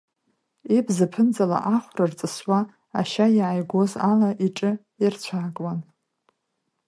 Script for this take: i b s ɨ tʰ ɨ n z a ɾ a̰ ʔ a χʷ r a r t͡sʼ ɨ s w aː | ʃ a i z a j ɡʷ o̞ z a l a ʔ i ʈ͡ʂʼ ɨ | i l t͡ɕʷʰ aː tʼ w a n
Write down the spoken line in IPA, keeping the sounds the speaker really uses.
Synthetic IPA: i b z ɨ pʰ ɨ n d͡z a l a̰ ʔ a χʷ r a r t͡sʼ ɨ s w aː | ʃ a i ʕ a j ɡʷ o̞ z a l a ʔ i ʈ͡ʂʼ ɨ | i r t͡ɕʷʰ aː kʼ w a n